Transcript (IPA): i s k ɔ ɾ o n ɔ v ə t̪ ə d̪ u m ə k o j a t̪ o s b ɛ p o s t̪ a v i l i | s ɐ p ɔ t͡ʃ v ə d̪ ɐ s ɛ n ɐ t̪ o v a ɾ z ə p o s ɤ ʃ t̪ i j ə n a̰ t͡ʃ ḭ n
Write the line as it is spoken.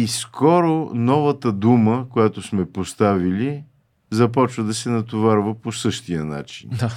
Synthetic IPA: i s k ɔ ɾ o n ɔ v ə t̪ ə d̪ u m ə k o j a t̪ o s m ɛ p o s t̪ a v i l i | z ɐ p ɔ t͡ʃ v ə d̪ ɐ s ɛ n ɐ t̪ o v a ɾ v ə p o s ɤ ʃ t̪ i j ə n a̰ t͡ʃ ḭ n